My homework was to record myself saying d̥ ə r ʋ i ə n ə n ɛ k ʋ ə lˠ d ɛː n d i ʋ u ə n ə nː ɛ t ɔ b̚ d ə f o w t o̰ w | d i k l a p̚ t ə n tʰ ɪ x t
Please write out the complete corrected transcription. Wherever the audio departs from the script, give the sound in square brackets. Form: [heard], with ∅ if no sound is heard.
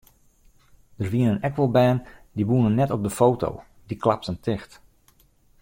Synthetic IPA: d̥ ə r ʋ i ə n ə n ɛ k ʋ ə lˠ [b] ɛː n d i ʋ u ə n ə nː ɛ t ɔ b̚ d ə f o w t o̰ w | d i k l a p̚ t ə n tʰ ɪ x t